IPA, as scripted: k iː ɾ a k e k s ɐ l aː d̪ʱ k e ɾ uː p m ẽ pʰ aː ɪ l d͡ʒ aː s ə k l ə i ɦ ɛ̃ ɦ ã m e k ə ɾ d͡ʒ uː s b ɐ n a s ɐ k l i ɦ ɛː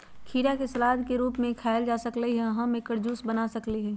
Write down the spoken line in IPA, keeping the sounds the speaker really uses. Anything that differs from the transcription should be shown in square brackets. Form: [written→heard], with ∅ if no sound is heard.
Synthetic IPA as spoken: [k→kʰ] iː ɾ a k e [k→∅] s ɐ l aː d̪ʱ k e ɾ uː p m ẽ [pʰ→kʰ] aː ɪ l d͡ʒ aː s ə k l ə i ɦ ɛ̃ ɦ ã m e k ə ɾ d͡ʒ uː s b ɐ n a s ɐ k l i ɦ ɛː